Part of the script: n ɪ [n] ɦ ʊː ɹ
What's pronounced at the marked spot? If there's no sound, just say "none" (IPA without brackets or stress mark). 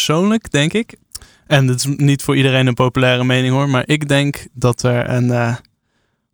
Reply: ŋ